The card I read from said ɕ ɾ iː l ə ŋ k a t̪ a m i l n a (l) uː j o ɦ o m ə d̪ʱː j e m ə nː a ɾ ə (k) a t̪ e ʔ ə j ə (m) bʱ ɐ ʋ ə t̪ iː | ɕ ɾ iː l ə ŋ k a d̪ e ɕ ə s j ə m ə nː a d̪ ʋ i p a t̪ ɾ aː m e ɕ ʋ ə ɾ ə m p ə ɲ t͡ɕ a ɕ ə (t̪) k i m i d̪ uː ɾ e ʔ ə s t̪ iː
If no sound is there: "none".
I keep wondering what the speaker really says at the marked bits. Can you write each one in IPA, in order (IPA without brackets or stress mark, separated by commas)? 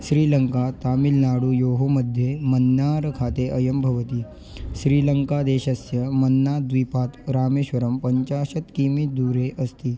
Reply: ɽ, kʰ, m, t̪